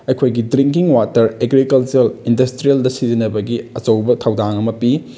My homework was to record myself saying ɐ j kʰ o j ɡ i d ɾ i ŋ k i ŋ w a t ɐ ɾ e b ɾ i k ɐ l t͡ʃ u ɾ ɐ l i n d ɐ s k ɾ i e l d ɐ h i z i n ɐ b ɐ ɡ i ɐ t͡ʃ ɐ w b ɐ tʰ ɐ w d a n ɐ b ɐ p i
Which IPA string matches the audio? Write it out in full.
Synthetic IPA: ɐ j kʰ o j ɡ i d ɾ i ŋ k i ŋ w a t ɐ ɾ e ɡ ɾ i k ɐ l t͡ʃ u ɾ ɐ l i n d ɐ s t ɾ i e l d ɐ s i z i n ɐ b ɐ ɡ i ɐ t͡ʃ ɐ w b ɐ tʰ ɐ w d a ŋ ɐ m ɐ p i